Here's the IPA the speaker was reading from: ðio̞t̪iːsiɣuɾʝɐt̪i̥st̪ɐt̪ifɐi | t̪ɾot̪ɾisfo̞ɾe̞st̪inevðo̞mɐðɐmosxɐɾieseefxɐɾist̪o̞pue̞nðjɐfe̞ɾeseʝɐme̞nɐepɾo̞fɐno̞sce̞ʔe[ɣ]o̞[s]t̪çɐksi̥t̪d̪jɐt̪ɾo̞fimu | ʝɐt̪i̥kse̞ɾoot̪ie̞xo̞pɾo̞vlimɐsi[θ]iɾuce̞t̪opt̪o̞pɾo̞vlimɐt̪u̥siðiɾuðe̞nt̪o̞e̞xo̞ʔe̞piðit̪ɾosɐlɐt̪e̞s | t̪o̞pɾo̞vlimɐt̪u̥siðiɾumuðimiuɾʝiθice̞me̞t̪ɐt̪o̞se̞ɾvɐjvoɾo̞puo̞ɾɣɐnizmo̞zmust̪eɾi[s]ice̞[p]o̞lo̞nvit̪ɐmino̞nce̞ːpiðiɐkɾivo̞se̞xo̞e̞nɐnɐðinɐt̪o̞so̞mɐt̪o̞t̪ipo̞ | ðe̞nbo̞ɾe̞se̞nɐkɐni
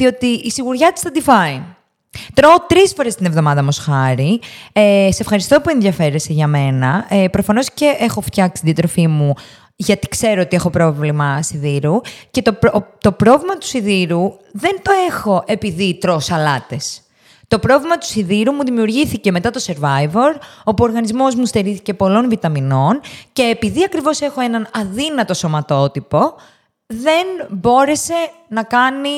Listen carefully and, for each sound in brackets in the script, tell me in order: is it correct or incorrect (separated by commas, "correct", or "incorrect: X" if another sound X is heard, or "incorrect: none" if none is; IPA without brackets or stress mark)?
incorrect: x, incorrect: f, incorrect: ð, incorrect: θ, correct